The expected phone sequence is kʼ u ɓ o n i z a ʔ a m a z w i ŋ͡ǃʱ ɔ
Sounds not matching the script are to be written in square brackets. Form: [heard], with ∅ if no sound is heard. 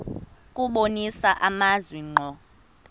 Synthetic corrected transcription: kʼ u ɓ o n i [s] a ʔ a m a z w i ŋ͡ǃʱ ɔ